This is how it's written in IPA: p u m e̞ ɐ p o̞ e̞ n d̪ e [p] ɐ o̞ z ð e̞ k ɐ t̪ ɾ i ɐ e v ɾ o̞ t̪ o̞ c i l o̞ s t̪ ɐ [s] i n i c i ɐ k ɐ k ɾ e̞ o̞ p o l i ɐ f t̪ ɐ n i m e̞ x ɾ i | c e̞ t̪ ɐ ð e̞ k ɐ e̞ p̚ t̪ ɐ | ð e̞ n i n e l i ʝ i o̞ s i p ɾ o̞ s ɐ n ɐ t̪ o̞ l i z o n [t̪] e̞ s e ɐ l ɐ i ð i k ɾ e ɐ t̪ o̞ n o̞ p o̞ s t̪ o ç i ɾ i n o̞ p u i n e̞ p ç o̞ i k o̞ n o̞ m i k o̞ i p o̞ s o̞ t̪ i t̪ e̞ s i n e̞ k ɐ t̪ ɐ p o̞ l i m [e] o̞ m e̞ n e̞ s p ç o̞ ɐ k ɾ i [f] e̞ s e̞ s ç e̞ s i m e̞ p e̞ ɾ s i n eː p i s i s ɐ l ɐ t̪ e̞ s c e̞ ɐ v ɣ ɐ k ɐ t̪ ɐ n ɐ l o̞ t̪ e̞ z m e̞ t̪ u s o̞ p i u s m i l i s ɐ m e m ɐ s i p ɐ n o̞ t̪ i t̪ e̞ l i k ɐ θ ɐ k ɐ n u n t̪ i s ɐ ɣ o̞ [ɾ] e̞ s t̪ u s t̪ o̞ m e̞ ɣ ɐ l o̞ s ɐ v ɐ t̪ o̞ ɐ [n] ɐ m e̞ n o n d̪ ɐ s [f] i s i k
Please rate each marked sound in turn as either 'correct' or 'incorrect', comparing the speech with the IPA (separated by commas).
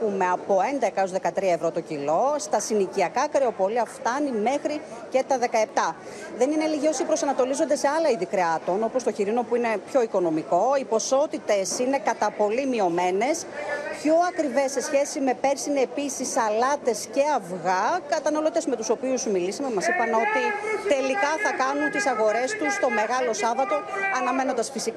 incorrect, correct, incorrect, incorrect, incorrect, correct, correct, correct